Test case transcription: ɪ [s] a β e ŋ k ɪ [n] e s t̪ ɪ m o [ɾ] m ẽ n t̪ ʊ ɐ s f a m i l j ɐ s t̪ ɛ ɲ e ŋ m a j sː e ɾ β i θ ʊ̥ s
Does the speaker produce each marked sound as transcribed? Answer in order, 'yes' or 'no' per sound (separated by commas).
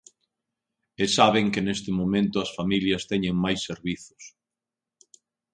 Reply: yes, yes, no